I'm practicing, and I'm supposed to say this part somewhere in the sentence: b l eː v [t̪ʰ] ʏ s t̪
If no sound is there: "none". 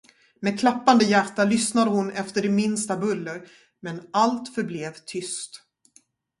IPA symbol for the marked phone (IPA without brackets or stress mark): t̪ʰ